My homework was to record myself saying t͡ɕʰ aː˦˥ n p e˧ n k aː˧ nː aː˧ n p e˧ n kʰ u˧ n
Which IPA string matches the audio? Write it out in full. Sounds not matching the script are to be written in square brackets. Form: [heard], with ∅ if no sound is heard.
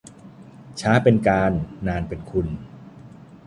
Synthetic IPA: t͡ɕʰ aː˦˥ [∅] p e˧ n k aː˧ nː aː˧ n p e˧ n kʰ u˧ n